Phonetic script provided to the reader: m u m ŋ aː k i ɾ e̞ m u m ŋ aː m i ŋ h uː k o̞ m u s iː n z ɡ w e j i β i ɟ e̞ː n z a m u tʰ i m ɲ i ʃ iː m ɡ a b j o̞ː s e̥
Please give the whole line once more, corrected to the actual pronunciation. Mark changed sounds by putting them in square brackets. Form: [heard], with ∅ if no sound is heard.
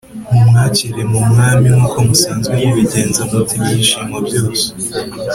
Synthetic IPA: m u m ŋ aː [c] i ɾ e̞ m u m ŋ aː m i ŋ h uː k o̞ m u s [aː] n z ɡ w e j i β i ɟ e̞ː n z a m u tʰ i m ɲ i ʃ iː m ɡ a b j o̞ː s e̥